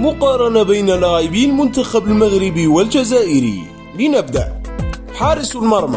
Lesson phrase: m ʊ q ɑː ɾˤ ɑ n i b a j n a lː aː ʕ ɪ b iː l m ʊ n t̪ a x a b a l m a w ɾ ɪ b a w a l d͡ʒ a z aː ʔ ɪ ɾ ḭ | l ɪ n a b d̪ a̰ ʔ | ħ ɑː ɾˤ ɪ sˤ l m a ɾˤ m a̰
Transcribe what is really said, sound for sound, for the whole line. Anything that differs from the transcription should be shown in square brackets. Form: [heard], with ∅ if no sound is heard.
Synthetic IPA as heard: m ʊ q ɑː ɾˤ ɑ n [a] b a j n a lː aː ʕ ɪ b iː l m ʊ n t̪ a x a b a l m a [ɣ] ɾ ɪ b [i] w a l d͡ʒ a z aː ʔ ɪ ɾ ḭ | l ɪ n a b d̪ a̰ ʔ | ħ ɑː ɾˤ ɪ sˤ l m [ɑ] ɾˤ m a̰